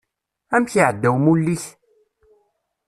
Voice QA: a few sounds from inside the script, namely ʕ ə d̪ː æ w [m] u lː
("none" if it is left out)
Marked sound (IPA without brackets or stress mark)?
m